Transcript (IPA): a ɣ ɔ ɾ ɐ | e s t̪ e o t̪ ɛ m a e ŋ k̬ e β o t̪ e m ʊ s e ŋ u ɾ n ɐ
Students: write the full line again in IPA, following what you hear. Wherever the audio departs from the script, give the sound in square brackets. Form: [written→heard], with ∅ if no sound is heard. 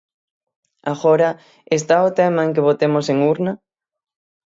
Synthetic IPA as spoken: a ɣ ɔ ɾ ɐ | e s t̪ [e→a] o t̪ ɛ m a e ŋ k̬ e β o t̪ e m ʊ s e ŋ u ɾ n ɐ